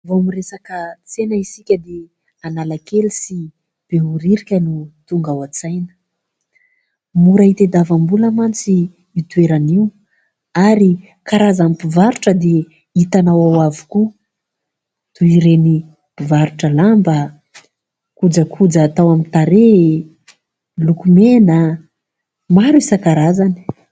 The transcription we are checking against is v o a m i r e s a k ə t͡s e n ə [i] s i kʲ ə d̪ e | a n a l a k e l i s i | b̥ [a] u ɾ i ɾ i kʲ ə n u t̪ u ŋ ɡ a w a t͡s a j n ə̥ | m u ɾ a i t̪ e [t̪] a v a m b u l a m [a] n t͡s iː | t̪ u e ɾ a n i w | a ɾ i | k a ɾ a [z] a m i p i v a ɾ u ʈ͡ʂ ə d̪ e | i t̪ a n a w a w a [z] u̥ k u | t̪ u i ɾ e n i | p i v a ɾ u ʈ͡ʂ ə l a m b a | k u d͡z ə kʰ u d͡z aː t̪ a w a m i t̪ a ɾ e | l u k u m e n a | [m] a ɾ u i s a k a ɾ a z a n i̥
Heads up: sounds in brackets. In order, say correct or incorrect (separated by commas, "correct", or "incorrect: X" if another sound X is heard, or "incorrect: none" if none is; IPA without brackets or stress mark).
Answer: correct, incorrect: e, incorrect: d̪, correct, correct, incorrect: v, correct